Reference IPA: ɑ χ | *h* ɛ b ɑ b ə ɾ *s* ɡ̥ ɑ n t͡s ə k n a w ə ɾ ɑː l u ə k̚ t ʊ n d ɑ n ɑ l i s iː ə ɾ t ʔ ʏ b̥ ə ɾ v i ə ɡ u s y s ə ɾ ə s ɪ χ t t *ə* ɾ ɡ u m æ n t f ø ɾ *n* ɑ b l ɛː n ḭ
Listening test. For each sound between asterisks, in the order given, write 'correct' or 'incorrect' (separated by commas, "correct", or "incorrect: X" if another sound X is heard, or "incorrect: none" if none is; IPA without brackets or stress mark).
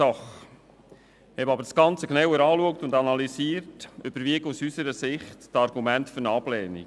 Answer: correct, correct, incorrect: ɑ, correct